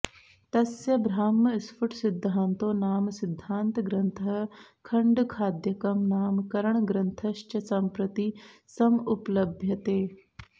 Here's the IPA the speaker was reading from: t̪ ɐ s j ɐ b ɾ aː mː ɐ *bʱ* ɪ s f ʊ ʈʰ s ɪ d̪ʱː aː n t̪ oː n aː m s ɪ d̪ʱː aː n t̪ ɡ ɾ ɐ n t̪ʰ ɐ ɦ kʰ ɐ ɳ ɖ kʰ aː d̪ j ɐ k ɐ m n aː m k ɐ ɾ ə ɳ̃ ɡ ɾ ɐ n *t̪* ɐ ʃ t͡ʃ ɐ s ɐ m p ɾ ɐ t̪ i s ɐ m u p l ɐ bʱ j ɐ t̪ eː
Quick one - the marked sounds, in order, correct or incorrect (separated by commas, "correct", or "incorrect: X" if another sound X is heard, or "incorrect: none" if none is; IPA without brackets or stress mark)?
incorrect: none, incorrect: t̪ʰ